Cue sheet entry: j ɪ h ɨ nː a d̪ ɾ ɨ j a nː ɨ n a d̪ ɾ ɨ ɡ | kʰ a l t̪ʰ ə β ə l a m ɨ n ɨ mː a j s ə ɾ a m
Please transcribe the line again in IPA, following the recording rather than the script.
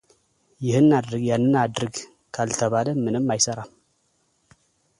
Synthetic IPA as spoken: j ɪ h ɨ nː a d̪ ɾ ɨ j a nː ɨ n a d̪ ɾ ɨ ɡ | kʰ a l t̪ʰ ə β a l ə m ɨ n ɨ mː a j s ə ɾ a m

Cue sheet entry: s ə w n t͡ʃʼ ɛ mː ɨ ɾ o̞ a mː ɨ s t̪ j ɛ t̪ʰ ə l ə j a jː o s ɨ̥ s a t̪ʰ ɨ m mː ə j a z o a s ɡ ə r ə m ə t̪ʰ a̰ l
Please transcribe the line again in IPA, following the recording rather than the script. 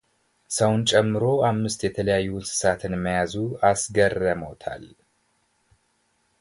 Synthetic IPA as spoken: s ə w n t͡ʃʼ ɛ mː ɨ ɾ o̞ a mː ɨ s t̪ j ɛ t̪ʰ ə l ə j a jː u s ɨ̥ s a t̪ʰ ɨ n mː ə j a z u a s ɡ ə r ə m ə t̪ʰ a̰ l

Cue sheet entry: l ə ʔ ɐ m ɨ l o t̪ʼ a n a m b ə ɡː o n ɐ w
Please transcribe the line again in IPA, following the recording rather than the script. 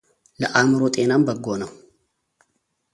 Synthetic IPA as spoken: l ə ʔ a m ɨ ɾ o t̪ʼ e n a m b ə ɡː o n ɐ w

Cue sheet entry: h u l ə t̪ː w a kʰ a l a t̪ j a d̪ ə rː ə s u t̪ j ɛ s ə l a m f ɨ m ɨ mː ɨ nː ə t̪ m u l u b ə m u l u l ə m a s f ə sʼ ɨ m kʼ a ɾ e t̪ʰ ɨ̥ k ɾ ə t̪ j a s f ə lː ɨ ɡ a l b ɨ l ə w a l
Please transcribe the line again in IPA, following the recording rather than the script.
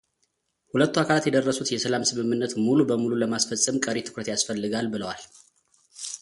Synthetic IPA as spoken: h u l ə t̪ː u a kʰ a l a t̪ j ɛ d̪ ə rː ə s u t̪ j ɛ s ə l a m s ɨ m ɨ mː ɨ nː ə t̪ m u l u b ə m u l u l ə m a s f ə sʼ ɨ m kʼ ə ɾ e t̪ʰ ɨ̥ k ɾ ə t̪ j a s f ə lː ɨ ɡ a l b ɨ l ə w a l

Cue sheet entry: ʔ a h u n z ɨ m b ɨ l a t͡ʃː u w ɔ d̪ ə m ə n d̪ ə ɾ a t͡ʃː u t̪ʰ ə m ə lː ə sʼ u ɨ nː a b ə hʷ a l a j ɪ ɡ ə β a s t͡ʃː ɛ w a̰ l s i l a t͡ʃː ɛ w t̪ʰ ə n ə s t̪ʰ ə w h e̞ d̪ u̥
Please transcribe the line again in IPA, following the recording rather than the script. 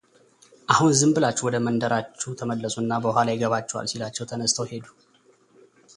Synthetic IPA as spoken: ʔ a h u n z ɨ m b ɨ l a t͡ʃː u w ɔ d̪ ə m ə n d̪ ə ɾ a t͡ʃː u t̪ʰ ə m ə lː ə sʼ u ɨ nː a b ə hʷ a l a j ɪ ɡ ə β a t͡ʃː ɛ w a̰ l s i l a t͡ʃː ɛ w t̪ʰ ə n ə s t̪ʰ ə w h e̞ d̪ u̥

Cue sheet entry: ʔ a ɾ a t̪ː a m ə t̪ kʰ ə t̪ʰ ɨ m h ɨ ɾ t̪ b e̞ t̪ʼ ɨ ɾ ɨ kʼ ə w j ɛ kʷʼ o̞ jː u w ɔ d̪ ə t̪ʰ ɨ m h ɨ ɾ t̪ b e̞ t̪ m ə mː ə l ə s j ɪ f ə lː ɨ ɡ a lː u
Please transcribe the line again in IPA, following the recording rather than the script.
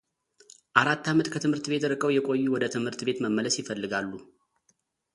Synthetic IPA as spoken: ʔ a ɾ a t̪ː a m ə t̪ kʰ ə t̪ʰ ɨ m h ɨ ɾ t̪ b e̞ t̪ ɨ ɾ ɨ kʼ ə w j ɛ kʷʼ o̞ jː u w ɔ d̪ ə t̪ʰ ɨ m h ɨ ɾ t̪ b e̞ t̪ m ə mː ə l ə s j ɪ f ə lː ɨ ɡ a lː u

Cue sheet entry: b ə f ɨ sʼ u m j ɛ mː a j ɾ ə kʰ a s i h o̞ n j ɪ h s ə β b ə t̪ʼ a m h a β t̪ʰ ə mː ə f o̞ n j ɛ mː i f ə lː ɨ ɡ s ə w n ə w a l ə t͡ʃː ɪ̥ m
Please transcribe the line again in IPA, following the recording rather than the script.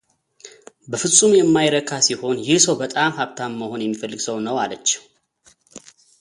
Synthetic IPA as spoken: b ə f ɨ sʼ u m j ɛ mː a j ɾ ə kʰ a s i h o̞ n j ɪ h s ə w b ə t̪ʼ a m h a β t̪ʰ a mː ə h o̞ n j ɛ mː i f ə lː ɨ ɡ s ə w n ə w a l ə t͡ʃː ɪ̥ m

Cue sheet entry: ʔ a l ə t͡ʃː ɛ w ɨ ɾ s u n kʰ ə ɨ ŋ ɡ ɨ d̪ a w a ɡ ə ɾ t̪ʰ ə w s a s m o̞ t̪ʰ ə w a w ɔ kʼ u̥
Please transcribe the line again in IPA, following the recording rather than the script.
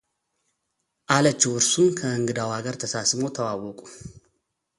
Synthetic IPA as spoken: ʔ a l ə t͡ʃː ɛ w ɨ ɾ s u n kʰ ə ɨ ŋ ɡ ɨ d̪ a w a ɡ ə ɾ t̪ʰ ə s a s m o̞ t̪ʰ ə w a w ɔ kʼ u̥

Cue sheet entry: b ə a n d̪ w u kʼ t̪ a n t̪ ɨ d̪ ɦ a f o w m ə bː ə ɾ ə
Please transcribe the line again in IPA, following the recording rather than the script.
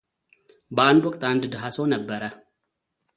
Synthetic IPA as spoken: b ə a n d̪ w ɔ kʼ t̪ a n d̪ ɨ d̪ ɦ a s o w n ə bː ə ɾ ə

